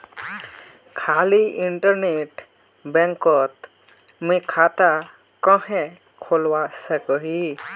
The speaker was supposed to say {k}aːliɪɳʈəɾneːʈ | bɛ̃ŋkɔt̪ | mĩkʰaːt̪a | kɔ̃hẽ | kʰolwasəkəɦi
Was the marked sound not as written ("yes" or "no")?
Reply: yes